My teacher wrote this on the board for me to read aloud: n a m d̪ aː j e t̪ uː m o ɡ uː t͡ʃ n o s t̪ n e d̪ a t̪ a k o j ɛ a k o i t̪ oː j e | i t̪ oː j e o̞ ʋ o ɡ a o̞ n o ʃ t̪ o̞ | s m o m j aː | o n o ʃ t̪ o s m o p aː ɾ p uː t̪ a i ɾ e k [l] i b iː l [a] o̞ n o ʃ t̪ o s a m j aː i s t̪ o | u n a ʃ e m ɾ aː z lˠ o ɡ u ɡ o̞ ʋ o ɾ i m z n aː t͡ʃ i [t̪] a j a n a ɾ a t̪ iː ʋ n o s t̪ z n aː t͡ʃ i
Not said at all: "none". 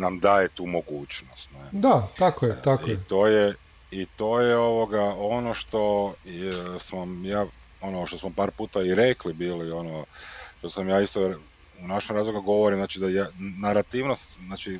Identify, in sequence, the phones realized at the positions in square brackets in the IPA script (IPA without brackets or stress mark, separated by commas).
l, i, d̪